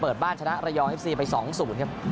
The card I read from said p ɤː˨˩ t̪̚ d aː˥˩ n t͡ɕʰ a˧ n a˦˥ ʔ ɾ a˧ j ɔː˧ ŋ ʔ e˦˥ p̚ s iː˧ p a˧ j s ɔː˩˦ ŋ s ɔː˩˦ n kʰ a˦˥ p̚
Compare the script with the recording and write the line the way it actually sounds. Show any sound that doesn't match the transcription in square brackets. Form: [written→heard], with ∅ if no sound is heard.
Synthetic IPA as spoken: p ɤː˨˩ t̪̚ [d→b] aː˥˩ n t͡ɕʰ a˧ n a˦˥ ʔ ɾ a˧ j ɔː˧ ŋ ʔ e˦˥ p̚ s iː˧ p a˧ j s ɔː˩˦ ŋ s [ɔː˩˦→uː˩˦] n kʰ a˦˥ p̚